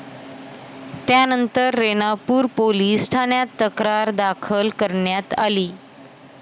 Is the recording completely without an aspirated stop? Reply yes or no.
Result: no